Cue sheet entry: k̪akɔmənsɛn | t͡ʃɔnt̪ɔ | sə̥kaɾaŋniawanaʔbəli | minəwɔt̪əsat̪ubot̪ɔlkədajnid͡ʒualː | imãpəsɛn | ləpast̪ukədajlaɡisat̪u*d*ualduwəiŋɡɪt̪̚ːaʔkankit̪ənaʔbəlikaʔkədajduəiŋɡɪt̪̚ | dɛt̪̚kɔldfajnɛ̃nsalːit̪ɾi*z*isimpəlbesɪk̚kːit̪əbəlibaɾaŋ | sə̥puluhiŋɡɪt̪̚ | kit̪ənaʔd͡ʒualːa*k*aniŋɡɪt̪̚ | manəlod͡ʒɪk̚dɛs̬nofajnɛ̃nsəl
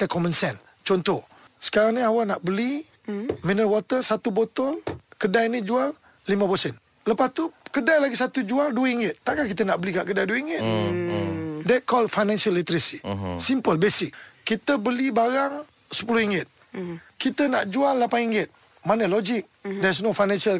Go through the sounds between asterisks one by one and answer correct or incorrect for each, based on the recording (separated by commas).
incorrect, incorrect, incorrect